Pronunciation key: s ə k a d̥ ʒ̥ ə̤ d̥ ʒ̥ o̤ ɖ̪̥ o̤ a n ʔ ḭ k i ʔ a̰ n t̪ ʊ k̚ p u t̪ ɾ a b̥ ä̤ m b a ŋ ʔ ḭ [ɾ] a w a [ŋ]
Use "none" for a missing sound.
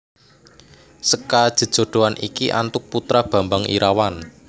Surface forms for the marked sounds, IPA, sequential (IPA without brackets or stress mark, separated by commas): ɾ, n